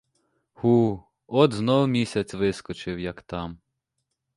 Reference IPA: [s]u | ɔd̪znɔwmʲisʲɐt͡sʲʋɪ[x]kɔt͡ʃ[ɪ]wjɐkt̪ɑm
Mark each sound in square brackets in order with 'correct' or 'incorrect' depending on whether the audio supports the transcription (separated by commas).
incorrect, incorrect, correct